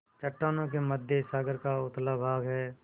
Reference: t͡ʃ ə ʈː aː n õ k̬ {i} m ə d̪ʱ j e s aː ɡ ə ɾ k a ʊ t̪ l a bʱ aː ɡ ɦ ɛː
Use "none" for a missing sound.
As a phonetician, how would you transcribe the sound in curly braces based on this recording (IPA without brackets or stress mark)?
e